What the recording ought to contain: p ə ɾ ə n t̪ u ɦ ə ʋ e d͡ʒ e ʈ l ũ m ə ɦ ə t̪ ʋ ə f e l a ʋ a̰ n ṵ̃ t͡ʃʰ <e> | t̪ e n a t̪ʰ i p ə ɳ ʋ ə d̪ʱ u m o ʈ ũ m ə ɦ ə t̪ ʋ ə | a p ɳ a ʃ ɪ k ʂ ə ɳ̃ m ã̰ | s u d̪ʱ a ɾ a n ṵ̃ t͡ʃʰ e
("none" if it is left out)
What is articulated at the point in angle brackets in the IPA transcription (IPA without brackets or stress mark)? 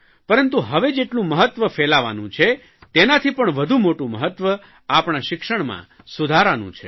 e